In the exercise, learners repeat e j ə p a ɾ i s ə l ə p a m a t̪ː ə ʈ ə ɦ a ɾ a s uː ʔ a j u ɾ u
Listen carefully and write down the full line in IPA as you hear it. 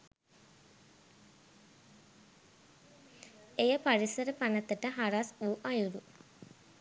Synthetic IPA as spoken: e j ə p a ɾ i s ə ɾ ə p a n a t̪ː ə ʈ ə ɦ a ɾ a s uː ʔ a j u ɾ u